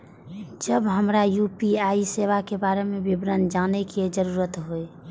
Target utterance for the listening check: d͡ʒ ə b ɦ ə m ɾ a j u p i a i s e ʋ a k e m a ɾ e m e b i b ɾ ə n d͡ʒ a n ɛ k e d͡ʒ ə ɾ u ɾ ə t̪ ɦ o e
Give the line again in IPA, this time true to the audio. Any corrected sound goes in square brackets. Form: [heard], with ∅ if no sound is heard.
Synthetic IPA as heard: d͡ʒ ə b ɦ ə m ɾ a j u p i a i s e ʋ a k e [b] a ɾ e m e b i b ɾ ə n d͡ʒ a n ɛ k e d͡ʒ ə ɾ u ɾ ə t̪ ɦ o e